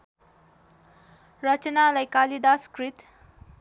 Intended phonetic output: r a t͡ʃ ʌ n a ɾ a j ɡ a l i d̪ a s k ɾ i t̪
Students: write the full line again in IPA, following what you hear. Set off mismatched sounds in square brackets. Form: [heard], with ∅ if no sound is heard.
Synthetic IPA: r [ʌ] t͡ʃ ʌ n a [l] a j [k] a l i d̪ a s k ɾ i t̪

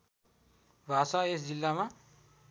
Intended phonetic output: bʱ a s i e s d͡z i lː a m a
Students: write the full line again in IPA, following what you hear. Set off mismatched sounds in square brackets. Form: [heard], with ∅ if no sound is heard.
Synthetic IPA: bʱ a s [a] e s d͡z i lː a m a

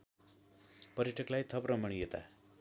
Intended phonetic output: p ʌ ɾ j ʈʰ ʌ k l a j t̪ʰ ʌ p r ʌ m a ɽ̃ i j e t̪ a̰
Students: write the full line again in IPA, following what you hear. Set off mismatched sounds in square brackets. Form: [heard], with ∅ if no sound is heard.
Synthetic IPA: p ʌ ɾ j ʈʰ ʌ k l a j t̪ʰ ʌ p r ʌ m [ʌ] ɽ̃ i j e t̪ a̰

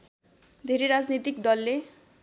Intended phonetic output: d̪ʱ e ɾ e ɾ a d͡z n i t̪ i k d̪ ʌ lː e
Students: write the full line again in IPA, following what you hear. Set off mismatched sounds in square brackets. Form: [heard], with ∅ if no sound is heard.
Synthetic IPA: d̪ʱ e ɾ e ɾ a d͡z n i t̪ i k d̪ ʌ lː e

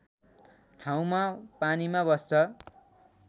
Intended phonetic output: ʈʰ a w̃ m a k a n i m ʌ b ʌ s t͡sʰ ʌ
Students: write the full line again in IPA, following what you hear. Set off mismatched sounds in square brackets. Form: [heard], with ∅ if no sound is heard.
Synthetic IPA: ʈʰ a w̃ m a [p] a n i m [a] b ʌ s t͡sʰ ʌ

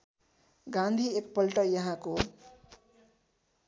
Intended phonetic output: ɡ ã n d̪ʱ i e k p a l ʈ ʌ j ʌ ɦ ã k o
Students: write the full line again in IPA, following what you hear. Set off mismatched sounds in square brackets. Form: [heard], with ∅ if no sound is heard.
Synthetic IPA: ɡ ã n d̪ʱ i e k p [ʌ] l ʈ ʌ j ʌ ɦ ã k o

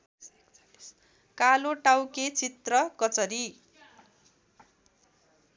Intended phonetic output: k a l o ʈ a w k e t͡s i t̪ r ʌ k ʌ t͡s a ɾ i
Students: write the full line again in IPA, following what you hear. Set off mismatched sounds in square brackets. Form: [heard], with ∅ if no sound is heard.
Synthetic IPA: k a l o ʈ a w k e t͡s i t̪ r ʌ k ʌ t͡s [ʌ] ɾ i

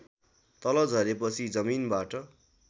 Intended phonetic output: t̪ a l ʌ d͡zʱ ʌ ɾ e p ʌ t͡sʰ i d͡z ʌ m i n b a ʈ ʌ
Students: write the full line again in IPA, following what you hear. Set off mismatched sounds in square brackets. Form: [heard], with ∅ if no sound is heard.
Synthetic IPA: t̪ [ʌ] l ʌ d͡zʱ ʌ ɾ e p ʌ t͡sʰ i d͡z ʌ m i n b a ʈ ʌ

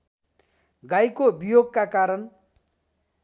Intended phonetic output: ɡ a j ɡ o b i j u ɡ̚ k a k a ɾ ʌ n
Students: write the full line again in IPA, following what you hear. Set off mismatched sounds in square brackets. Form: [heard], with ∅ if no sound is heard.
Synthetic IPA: ɡ a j [k] o b i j [o] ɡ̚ k a k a ɾ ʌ n

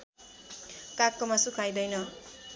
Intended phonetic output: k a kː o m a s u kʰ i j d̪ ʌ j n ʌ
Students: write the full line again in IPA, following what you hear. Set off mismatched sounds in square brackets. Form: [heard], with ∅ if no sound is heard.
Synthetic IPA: k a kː o m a s u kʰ [a] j d̪ ʌ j n ʌ

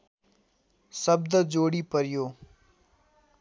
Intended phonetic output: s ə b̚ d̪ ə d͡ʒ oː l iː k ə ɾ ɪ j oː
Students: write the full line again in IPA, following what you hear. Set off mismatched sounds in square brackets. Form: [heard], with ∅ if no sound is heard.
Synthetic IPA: s ə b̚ d̪ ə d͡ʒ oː [ɽ] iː [p] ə ɾ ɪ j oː

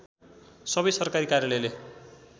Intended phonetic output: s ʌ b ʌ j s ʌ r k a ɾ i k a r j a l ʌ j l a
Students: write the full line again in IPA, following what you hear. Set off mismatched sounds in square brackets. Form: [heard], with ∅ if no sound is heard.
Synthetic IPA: s ʌ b ʌ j s ʌ r k a ɾ i k a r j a l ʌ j l [e]

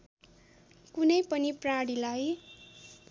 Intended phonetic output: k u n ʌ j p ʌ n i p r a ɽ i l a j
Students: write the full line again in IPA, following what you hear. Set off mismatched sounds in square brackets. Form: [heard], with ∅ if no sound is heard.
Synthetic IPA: k u n ʌ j p ʌ n i p r a ɽ i l a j

